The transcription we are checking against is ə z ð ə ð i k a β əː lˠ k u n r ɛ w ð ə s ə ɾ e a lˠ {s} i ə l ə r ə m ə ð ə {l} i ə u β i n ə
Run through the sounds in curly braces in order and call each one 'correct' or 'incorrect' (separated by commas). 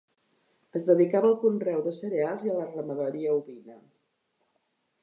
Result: incorrect, incorrect